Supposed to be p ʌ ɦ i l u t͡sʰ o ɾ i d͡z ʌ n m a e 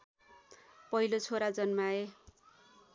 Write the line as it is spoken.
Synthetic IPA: p ʌ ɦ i l o t͡sʰ o ɾ a d͡z ʌ n m a e